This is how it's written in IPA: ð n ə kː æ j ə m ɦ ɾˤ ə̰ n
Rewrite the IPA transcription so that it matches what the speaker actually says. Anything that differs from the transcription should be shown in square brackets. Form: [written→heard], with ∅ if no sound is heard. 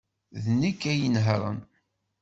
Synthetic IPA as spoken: ð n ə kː æ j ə [m→n] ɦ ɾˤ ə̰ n